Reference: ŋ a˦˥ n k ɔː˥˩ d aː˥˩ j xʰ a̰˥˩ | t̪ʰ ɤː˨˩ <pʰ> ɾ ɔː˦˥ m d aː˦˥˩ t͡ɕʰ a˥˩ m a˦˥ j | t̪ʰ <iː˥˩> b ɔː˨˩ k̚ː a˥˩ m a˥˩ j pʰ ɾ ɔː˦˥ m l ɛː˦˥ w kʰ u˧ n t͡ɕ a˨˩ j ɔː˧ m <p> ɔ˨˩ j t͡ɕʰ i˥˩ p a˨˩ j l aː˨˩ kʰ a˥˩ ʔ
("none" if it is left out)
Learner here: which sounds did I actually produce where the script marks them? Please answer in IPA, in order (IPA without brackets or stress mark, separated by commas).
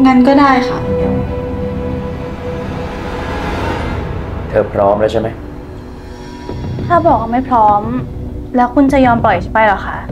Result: pʰ, aː˥˩, p